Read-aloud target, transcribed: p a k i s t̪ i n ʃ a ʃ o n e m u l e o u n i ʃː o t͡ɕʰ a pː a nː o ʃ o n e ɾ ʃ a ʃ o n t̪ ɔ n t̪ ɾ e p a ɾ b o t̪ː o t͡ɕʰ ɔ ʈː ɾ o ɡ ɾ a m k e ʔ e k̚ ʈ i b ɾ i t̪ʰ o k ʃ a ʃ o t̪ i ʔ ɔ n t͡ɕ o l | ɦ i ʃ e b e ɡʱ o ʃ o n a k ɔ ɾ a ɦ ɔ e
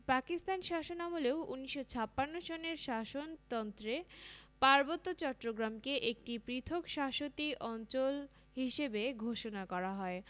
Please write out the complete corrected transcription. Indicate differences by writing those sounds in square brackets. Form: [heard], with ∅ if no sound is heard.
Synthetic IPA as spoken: p a k i s t̪ [a] n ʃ a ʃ o n [a] m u l e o u n i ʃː o t͡ɕʰ a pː a nː o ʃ o n e ɾ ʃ a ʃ o n t̪ ɔ n t̪ ɾ e p a ɾ b o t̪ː o [t͡ɕ] ɔ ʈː ɾ o ɡ ɾ a m k e ʔ e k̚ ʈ i [p] ɾ i t̪ʰ o k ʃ a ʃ o t̪ i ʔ ɔ n t͡ɕ o l | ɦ i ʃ e b e ɡʱ o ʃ o n a k ɔ ɾ a ɦ ɔ e